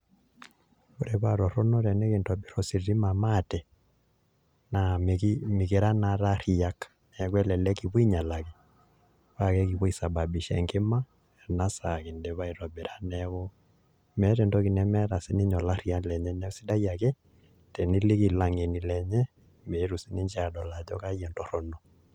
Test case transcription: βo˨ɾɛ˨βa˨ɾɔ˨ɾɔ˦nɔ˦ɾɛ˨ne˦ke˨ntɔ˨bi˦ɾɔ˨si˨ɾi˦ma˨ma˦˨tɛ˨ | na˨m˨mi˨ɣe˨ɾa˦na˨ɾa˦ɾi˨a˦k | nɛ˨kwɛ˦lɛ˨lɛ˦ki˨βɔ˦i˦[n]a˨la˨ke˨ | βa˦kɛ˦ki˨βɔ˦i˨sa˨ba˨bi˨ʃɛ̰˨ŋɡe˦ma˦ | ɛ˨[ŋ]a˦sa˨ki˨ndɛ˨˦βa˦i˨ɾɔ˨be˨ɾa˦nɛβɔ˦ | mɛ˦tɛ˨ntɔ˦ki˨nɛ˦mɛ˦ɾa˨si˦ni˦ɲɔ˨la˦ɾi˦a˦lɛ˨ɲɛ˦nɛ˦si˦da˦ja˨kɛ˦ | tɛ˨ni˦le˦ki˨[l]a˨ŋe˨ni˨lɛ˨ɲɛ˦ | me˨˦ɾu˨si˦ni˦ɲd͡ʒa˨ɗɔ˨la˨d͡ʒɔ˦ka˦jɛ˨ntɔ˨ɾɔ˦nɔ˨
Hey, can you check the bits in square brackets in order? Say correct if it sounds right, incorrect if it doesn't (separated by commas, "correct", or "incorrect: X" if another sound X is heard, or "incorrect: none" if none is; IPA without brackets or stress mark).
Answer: incorrect: ɲ, incorrect: n, correct